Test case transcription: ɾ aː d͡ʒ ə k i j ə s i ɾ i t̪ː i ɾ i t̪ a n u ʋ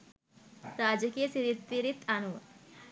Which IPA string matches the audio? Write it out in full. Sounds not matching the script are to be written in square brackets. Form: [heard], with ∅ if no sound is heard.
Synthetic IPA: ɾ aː d͡ʒ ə k i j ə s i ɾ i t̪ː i ɾ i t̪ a n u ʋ

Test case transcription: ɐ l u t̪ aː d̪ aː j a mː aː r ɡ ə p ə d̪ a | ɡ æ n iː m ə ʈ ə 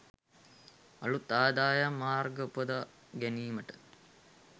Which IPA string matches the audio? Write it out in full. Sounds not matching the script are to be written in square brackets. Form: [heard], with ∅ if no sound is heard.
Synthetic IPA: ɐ l u t̪ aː d̪ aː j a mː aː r ɡ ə p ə d̪ a | ɡ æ n iː m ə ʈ ə

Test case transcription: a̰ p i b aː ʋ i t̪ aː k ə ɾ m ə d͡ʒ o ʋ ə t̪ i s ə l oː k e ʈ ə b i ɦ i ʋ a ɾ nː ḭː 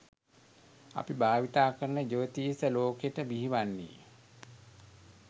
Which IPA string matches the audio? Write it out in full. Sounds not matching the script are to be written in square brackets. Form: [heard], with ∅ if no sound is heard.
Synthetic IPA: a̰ p i b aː ʋ i t̪ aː k ə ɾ [n] ə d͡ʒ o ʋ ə t̪ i s ə l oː k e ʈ ə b i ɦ i ʋ a [∅] nː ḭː

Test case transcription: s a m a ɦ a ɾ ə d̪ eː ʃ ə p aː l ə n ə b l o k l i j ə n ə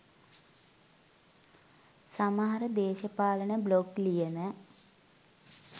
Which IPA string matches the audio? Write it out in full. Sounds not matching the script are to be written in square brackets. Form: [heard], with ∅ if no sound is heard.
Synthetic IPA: s a m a ɦ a ɾ ə d̪ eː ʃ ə p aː l ə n ə b l o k l i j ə n ə

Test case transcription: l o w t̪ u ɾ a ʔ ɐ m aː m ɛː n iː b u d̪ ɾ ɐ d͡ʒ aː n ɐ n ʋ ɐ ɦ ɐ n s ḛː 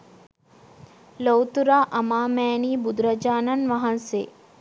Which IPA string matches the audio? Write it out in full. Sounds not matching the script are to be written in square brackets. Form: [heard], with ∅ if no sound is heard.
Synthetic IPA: l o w t̪ u ɾ a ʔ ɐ m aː m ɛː n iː b u d̪ ɾ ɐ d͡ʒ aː n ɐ n ʋ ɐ ɦ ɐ n s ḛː

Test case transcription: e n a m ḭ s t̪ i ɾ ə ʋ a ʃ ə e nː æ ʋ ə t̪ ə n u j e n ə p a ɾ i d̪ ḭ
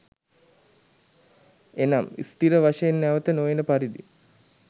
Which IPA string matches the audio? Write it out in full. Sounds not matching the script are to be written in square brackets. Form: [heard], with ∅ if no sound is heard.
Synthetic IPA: e n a m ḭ s t̪ i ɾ ə ʋ a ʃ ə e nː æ ʋ ə t̪ ə n [o] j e n ə p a ɾ i d̪ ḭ

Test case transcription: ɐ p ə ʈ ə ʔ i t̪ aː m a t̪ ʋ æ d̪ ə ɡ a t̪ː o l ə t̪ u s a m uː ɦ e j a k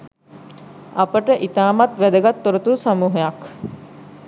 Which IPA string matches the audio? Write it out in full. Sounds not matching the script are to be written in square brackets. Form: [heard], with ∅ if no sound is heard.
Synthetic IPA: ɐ p ə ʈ ə ʔ i t̪ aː m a t̪ ʋ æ d̪ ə ɡ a t̪ː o [ɾ] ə t̪ u s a m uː ɦ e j a k

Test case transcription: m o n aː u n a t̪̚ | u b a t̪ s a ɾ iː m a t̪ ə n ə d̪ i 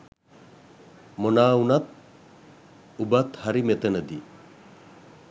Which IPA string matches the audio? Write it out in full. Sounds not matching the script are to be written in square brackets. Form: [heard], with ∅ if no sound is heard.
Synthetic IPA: m o n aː u n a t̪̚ | u b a t̪ [h] a ɾ [i] m [e] t̪ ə n ə d̪ i

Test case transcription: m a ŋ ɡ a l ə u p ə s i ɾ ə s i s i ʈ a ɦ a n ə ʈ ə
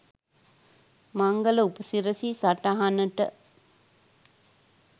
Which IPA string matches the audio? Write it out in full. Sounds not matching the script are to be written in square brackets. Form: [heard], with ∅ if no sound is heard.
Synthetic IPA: m a ŋ ɡ [ə] l ə u p ə s i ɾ ə s i s [a] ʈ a ɦ a n ə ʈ ə

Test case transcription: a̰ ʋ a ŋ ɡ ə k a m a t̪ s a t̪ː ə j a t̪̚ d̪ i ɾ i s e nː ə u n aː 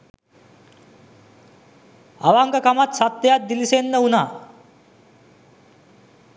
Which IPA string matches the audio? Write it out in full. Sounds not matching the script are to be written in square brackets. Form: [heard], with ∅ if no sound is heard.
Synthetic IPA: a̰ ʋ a ŋ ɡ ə k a m a t̪ s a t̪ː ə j a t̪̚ d̪ i [l] i s e nː ə u n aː

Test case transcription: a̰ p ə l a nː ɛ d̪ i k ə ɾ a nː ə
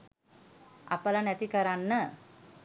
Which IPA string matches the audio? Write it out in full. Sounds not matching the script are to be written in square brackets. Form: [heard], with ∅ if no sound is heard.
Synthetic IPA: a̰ p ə l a [n] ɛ [t̪] i k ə ɾ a nː ə

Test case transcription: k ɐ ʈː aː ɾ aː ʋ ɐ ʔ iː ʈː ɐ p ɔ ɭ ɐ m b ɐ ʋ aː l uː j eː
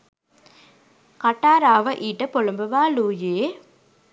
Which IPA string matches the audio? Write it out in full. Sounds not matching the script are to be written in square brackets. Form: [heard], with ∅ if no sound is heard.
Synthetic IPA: k ɐ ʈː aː ɾ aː ʋ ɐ ʔ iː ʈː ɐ p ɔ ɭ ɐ m b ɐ ʋ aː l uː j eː

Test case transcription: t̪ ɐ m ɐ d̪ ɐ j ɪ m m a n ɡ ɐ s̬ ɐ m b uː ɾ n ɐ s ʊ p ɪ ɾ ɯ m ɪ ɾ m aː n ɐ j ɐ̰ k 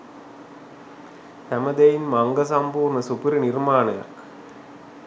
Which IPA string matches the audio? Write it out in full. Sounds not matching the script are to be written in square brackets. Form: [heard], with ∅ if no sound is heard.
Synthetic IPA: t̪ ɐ m ɐ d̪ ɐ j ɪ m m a [ŋ] ɡ ɐ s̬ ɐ m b uː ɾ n ɐ s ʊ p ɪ ɾ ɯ [n] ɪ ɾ m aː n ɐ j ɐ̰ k

